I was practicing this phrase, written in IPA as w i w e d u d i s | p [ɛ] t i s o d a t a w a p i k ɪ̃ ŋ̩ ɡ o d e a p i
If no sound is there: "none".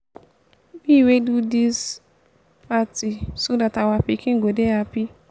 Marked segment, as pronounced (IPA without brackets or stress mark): a